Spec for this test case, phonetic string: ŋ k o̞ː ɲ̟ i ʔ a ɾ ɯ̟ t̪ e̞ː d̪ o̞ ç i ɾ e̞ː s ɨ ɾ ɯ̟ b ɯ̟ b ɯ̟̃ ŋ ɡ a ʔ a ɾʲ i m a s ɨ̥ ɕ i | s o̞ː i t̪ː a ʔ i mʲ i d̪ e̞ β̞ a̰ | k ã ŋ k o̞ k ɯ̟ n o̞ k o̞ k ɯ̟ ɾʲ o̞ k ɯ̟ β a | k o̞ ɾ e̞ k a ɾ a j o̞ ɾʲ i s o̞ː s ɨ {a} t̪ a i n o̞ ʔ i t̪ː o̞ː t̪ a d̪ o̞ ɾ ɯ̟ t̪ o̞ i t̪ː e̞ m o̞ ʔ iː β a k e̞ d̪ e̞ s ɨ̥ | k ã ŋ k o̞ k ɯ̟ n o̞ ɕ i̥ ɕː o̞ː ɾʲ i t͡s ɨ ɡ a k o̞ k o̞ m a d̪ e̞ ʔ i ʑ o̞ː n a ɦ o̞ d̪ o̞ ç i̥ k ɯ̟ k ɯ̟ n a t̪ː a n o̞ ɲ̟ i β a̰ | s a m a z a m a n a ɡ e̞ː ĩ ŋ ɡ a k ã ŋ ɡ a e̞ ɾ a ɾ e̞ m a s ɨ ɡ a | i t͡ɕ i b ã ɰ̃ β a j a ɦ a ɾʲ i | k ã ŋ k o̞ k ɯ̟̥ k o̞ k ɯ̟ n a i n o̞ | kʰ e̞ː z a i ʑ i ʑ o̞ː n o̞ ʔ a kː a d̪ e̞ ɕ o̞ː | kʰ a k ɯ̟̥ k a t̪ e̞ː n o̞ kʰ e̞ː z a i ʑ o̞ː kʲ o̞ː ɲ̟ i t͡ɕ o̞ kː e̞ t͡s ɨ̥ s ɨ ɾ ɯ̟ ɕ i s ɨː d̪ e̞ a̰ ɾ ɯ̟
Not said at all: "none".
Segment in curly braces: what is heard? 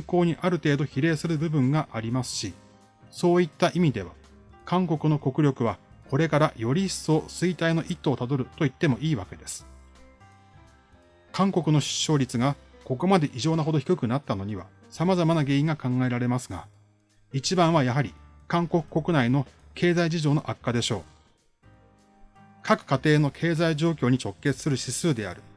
i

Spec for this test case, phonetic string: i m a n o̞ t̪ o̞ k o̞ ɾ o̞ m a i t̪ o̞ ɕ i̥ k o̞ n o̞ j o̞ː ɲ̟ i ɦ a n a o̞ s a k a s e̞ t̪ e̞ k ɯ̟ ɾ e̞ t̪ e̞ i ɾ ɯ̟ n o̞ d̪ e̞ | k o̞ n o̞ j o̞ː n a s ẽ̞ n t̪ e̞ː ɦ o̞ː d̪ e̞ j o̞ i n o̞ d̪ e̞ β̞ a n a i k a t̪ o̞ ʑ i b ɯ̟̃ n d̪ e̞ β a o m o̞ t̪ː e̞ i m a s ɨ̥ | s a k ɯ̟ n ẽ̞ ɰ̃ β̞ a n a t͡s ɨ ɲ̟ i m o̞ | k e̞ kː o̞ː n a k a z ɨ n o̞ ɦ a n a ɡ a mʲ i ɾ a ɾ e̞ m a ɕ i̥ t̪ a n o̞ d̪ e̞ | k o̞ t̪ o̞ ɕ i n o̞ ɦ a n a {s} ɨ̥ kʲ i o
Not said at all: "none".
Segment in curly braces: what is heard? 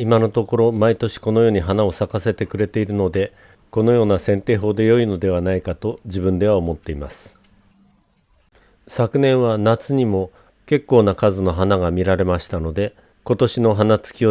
t͡s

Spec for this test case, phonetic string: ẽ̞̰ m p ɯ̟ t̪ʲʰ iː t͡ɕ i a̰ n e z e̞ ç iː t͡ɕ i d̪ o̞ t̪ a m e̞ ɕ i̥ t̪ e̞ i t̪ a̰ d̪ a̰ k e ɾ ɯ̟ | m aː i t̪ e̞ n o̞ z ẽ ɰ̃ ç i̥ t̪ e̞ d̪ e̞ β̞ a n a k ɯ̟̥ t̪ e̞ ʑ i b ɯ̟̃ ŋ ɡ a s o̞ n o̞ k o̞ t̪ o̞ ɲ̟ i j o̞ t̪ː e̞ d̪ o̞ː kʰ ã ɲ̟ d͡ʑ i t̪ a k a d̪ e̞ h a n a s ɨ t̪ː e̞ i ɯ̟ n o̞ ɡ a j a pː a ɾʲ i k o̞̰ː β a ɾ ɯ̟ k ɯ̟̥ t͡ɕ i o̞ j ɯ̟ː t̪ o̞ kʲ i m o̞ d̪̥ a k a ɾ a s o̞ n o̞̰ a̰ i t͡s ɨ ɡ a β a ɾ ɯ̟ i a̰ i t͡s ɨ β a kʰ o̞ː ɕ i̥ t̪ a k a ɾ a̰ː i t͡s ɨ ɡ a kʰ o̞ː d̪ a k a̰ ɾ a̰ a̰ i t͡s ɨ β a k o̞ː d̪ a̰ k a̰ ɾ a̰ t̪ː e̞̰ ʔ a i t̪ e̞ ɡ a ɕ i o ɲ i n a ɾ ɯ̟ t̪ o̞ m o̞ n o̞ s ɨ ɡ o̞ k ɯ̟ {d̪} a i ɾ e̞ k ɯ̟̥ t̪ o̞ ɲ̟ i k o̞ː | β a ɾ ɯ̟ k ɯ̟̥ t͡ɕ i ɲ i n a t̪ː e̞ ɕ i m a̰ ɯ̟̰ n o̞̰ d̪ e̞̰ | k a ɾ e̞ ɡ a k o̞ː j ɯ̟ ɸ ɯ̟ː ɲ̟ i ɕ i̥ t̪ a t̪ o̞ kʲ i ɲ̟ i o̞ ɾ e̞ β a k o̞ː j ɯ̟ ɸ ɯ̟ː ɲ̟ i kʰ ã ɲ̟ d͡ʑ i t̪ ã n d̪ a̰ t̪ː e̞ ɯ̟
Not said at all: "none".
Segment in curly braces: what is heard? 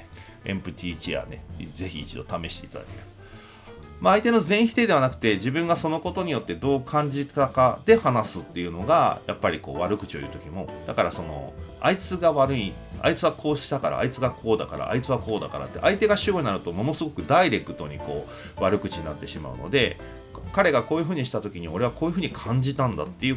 d̪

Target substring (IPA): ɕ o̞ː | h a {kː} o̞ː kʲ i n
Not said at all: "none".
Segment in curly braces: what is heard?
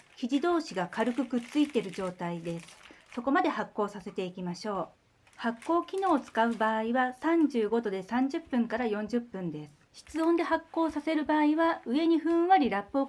kː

